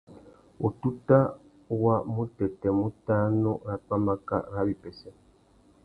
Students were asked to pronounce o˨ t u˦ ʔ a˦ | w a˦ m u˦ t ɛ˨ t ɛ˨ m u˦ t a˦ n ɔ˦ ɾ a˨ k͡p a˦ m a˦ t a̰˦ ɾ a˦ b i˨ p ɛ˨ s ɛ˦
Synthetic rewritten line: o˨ t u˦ t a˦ | w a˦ m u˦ t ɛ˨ t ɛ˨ m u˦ t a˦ n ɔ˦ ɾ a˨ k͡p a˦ m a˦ k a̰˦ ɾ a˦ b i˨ p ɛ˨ s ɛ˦